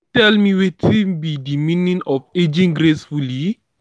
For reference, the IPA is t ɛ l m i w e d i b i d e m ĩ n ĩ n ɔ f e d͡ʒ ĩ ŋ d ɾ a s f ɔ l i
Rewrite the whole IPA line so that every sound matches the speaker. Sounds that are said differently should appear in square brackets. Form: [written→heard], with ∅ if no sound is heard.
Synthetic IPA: t ɛ l m i w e [d→t] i b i d [e→i] m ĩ n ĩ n ɔ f e d͡ʒ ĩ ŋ [d→ɡ] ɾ [a→e] s f [ɔ→u] l i